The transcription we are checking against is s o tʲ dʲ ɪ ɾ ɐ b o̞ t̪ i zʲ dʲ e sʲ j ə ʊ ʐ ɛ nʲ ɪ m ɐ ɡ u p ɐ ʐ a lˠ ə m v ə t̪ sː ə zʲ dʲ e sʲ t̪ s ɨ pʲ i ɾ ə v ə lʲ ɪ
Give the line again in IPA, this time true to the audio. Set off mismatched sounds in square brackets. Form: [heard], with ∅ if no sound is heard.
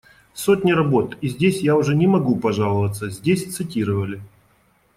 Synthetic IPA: s o tʲ [nʲ] ɪ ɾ ɐ b o̞ t̪ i zʲ dʲ e sʲ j [a] ʊ ʐ ɛ nʲ ɪ m ɐ ɡ u p ɐ ʐ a lˠ ə [∅] v ə t̪ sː ə zʲ dʲ e sʲ t̪ s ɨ [tʲ] i ɾ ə v ə lʲ ɪ